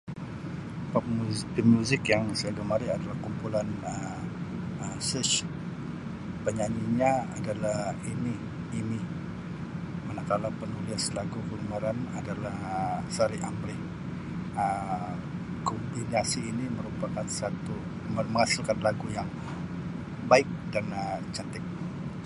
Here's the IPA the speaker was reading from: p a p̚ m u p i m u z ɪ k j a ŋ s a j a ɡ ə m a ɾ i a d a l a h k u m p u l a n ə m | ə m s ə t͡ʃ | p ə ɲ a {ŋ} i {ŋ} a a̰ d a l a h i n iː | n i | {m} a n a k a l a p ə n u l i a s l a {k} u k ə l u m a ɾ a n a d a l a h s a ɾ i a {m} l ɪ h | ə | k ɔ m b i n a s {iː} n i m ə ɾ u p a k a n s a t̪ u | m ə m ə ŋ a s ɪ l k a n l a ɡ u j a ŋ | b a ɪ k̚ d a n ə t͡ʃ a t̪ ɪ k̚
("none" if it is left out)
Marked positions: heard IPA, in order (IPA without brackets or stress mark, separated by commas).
ɲ, ɲ, m, ɡ, m, iː